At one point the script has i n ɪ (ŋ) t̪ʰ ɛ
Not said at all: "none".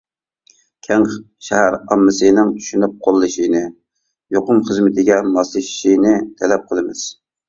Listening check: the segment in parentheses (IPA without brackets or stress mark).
none